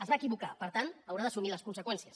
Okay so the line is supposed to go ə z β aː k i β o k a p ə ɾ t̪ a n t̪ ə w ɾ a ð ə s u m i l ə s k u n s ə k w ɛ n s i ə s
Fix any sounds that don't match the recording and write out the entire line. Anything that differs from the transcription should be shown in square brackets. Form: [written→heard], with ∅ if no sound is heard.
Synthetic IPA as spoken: ə z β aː k i β [o→u] k a p ə ɾ t̪ a n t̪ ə w ɾ a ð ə s u m i l ə s k u n s ə k w ɛ n s i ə s